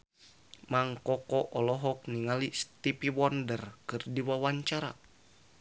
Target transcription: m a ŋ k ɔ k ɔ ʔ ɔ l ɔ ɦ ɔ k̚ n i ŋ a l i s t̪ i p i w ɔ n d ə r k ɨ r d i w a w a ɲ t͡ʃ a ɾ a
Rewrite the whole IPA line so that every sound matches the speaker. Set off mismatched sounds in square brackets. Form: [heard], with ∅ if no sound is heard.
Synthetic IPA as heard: m a ŋ k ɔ k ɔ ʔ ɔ l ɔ ɦ ɔ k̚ n i ŋ a l i s t̪ i p i w ɔ n d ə r k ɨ r d i w a w a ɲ t͡ʃ a ɾ a